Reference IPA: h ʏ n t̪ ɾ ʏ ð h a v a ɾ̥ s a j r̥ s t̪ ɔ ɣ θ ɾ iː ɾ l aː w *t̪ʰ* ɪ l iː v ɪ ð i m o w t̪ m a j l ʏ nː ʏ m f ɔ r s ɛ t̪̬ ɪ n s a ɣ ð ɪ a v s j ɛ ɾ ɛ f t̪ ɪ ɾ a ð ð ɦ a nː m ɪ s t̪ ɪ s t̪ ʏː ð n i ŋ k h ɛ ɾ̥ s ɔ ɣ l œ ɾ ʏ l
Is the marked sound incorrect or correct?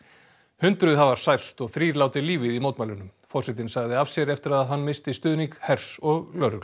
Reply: incorrect